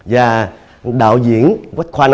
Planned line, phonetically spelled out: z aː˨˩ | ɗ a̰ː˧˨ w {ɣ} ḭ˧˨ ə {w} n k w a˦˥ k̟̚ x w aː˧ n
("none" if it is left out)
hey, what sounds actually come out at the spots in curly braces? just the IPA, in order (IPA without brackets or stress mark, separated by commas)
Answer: z, none